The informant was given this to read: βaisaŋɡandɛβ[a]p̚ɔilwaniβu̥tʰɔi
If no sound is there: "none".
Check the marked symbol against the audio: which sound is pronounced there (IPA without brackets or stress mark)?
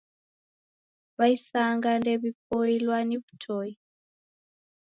i